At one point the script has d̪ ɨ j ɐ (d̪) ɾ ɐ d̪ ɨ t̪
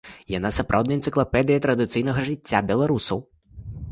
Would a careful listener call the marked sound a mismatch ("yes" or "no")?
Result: yes